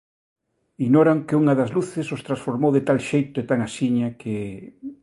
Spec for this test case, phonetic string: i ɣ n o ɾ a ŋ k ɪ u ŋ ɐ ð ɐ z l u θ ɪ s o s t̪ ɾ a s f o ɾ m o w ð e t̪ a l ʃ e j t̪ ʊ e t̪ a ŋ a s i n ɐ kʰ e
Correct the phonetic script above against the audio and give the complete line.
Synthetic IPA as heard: i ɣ n o ɾ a ŋ k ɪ u ŋ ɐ ð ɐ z l u θ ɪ s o s t̪ ɾ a s f o ɾ m o w ð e t̪ a l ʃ e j t̪ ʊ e t̪ a ŋ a s i ɲ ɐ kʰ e